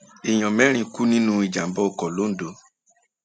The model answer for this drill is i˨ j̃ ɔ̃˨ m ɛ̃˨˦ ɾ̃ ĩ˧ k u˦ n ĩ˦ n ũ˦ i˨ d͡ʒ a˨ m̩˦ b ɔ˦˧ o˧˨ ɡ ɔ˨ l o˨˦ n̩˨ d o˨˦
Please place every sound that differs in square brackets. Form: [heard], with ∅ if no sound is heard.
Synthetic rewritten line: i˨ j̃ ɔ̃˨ m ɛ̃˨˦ ɾ̃ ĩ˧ k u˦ n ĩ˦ n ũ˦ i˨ d͡ʒ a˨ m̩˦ b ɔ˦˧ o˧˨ [k] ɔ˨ l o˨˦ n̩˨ d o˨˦